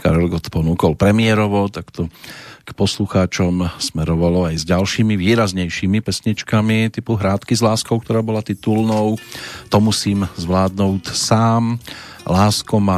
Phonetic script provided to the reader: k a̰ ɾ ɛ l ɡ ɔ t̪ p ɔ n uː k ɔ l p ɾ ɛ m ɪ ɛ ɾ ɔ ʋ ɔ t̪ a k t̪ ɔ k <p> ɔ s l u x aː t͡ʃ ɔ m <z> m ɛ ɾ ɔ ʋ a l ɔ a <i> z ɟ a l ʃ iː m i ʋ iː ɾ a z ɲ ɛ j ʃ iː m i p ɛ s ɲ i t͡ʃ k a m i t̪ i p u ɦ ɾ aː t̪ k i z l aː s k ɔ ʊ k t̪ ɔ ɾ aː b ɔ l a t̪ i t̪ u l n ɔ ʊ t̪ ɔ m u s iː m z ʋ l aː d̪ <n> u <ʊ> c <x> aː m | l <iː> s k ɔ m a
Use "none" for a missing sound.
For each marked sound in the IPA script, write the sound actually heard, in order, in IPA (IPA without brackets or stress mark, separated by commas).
p, s, j, n, ʊ, s, aː